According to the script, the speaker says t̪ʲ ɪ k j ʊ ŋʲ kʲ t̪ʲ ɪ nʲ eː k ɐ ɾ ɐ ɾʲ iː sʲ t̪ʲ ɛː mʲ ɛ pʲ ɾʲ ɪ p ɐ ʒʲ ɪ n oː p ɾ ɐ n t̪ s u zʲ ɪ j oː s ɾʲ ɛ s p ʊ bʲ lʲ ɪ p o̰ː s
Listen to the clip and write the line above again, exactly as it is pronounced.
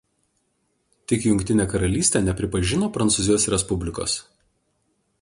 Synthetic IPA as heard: t̪ʲ ɪ k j ʊ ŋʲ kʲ t̪ʲ ɪ nʲ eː k ɐ ɾ ɐ lʲ iː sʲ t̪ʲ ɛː nʲ ɛ pʲ ɾʲ ɪ p ɐ ʒʲ ɪ n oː p ɾ ɐ n t̪ s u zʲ ɪ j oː s ɾʲ ɛ s p ʊ bʲ lʲ ɪ k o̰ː s

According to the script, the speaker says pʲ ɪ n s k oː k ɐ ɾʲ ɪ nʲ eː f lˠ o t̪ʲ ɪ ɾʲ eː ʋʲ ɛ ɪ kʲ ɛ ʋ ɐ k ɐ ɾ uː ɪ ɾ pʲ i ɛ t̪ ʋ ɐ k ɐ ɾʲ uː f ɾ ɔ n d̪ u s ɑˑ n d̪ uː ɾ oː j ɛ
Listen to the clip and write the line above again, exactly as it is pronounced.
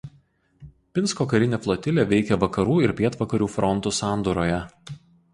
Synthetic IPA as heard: pʲ ɪ n s k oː k ɐ ɾʲ ɪ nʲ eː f lˠ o t̪ʲ ɪ lʲ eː ʋʲ ɛ ɪ kʲ ɛ ʋ ɐ k ɐ ɾ uː ɪ ɾ pʲ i ɛ t̪ ʋ ɐ k ɐ ɾʲ uː f ɾ ɔ n t̪ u s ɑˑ n d̪ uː ɾ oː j ɛ

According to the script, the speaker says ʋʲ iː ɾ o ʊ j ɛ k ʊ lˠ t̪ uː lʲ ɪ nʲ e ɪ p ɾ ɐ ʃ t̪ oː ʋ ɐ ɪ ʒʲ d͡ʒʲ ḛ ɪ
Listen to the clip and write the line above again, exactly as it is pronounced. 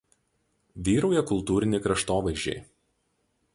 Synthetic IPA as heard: ʋʲ iː ɾ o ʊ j ɛ k ʊ lˠ t̪ uː ɾʲ ɪ nʲ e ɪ k ɾ ɐ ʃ t̪ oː ʋ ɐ ɪ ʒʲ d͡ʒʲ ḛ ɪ

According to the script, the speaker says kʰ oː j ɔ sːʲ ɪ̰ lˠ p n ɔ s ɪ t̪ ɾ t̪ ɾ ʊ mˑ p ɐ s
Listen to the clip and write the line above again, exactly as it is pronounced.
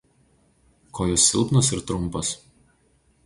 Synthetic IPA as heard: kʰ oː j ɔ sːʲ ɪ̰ lˠ p n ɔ s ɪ ɾ t̪ ɾ ʊ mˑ p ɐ s

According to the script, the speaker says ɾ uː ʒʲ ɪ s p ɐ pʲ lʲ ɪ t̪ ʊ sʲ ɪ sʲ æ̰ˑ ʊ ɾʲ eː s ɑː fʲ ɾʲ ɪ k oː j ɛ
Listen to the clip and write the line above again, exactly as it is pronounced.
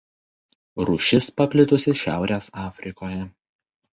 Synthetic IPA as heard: ɾ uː ʃʲ ɪ s p ɐ pʲ lʲ ɪ t̪ ʊ sʲ ɪ ʃʲ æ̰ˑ ʊ ɾʲ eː s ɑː fʲ ɾʲ ɪ k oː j ɛ

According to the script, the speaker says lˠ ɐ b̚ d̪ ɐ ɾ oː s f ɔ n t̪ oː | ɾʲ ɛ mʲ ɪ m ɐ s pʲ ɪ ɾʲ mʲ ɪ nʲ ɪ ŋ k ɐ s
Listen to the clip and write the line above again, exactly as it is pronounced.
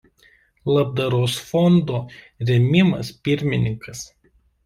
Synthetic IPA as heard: lˠ ɐ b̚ d̪ ɐ ɾ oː s f ɔ n d̪ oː | ɾʲ ɛ mʲ ɪ m ɐ s pʲ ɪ ɾʲ mʲ ɪ nʲ ɪ ŋ k ɐ s

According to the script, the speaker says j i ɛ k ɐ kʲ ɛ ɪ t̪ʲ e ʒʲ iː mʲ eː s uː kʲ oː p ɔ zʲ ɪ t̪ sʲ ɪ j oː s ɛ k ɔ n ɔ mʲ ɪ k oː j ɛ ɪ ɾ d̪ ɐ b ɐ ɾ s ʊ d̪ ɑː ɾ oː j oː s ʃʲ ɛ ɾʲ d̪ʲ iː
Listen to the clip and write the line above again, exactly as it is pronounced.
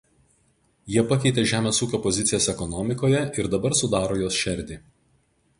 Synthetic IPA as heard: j i ɛ p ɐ kʲ ɛ ɪ t̪ʲ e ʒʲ æː mʲ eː s uː kʲ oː p ɔ zʲ ɪ t̪ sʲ ɪ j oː s ɛ k ɔ n ɔ mʲ ɪ k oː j ɛ ɪ ɾ d̪ ɐ b ɐ ɾ s ʊ d̪ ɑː ɾ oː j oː s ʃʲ ɛ ɾʲ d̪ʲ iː

